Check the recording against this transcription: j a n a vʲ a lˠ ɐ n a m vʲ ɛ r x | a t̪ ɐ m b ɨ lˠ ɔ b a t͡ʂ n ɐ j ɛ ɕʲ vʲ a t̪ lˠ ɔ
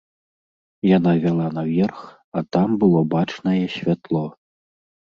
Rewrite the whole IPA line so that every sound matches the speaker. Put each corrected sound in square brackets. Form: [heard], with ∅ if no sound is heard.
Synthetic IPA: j a n a vʲ a lˠ [a] n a [∅] vʲ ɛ r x | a t̪ [a] m b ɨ lˠ ɔ b a t͡ʂ n ɐ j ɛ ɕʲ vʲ a t̪ lˠ ɔ